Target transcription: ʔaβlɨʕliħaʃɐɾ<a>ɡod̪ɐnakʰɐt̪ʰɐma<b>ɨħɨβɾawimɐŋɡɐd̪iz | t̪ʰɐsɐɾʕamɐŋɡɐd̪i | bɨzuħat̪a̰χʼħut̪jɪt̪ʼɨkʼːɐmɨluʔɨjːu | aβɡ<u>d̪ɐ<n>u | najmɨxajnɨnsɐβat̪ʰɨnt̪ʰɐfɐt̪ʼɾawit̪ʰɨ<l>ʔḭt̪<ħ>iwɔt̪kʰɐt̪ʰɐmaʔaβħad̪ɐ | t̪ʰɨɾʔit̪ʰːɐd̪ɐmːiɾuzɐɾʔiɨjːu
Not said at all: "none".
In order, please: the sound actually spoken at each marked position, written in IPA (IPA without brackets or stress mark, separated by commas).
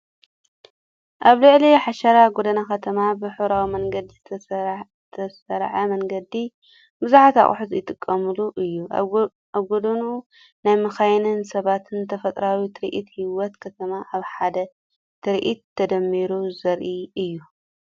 a, b, o, n, ɾ, h